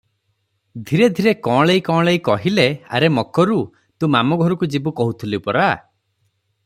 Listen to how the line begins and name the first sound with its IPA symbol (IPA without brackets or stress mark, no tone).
d̪ʱ